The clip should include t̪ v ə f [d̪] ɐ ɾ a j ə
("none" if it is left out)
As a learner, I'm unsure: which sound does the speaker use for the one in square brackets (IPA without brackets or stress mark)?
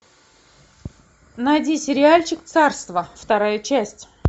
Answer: t̪